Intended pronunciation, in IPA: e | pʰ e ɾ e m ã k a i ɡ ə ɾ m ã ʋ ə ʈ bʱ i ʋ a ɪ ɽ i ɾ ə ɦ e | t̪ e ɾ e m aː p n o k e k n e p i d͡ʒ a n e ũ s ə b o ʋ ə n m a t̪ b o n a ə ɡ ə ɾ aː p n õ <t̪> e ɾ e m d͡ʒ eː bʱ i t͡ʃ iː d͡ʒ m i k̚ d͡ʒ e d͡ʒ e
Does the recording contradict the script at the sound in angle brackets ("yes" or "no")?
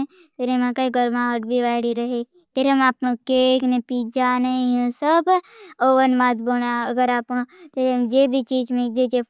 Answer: no